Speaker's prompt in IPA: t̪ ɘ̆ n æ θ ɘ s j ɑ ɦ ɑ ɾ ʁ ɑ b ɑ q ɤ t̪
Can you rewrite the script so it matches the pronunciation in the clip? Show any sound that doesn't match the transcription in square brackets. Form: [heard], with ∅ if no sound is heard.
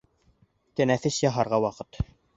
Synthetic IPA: t̪ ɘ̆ n æ θ ɘ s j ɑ ɦ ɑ ɾ ʁ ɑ [w] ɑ q ɤ t̪